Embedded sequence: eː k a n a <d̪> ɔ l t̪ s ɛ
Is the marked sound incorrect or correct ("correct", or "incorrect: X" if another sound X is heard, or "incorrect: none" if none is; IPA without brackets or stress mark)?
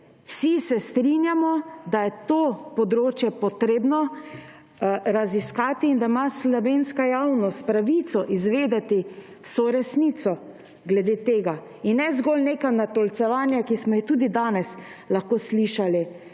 incorrect: t̪